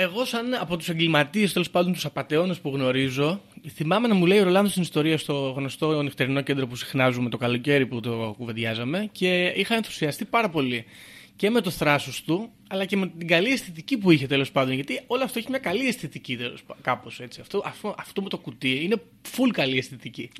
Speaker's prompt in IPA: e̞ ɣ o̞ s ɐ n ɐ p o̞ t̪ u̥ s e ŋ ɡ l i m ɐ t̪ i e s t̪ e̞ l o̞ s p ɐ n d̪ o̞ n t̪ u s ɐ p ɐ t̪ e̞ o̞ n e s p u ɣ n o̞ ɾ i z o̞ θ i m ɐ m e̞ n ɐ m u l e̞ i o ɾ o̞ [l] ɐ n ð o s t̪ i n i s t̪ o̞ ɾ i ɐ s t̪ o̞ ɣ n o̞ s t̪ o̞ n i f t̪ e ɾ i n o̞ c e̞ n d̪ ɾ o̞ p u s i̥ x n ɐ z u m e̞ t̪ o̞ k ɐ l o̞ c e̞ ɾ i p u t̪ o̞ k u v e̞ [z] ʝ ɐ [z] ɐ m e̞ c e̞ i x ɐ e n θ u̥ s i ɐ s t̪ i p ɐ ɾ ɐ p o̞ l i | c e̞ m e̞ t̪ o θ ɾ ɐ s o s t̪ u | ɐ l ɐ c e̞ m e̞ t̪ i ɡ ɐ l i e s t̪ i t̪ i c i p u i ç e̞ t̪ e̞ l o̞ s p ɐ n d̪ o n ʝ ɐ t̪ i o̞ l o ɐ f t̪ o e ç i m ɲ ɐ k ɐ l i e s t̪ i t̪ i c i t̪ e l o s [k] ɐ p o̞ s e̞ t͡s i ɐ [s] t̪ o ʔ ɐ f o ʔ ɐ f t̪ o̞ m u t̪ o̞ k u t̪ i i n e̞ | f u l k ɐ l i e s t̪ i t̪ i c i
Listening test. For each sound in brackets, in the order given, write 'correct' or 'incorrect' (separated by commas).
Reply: correct, incorrect, correct, correct, incorrect